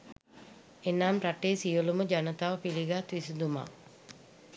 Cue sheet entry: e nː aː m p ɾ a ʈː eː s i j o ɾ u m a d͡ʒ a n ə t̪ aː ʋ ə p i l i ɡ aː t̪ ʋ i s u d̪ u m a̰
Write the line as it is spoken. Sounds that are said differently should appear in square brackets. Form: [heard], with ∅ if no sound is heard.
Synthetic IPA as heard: e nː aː m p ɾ a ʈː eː s i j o [l] u m [ə] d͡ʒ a n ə t̪ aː ʋ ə p i l i ɡ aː t̪ ʋ i s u d̪ u m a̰